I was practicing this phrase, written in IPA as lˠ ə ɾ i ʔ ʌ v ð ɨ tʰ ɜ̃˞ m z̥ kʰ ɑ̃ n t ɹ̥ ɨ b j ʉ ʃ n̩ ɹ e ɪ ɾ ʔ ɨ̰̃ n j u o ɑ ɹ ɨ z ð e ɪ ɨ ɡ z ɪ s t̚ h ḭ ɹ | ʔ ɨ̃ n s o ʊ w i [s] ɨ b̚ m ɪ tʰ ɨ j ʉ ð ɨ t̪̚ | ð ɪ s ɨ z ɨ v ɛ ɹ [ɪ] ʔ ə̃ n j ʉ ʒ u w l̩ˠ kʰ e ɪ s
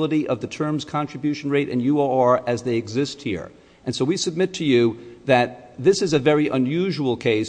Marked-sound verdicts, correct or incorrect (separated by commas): correct, incorrect